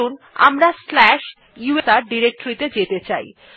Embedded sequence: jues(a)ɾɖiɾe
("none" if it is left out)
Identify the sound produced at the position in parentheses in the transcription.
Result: a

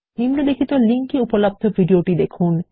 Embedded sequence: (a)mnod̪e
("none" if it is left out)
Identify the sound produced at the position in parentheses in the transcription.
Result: i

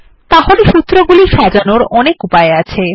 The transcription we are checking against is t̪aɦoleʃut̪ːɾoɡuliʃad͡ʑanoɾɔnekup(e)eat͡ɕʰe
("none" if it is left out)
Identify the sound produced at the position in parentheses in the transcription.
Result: a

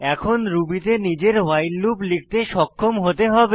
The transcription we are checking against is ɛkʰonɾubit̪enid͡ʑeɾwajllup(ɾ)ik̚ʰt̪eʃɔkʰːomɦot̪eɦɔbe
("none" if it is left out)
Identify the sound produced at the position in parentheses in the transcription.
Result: l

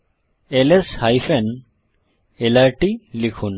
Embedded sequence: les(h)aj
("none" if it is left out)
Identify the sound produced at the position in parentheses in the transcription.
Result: h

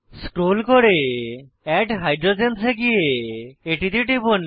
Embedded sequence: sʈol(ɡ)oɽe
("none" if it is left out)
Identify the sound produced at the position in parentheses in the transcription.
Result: k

